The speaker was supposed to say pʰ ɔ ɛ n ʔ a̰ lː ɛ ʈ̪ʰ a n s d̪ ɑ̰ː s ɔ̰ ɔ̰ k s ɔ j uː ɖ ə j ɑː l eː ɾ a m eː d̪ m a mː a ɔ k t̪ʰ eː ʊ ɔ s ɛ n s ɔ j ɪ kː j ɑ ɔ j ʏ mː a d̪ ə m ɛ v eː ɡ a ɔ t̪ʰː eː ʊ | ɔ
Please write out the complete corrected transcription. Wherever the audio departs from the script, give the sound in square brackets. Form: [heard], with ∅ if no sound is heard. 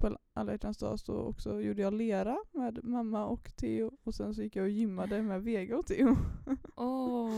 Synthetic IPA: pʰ ɔ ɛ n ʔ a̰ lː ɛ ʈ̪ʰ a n s d̪ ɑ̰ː s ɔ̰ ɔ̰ k s ɔ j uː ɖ ə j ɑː l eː ɾ a m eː d̪ m a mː a ɔ k t̪ʰ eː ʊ ɔ s ɛ n s ɔ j ɪ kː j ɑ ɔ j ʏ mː a d̪ ə m ɛ v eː ɡ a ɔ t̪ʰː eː ʊ | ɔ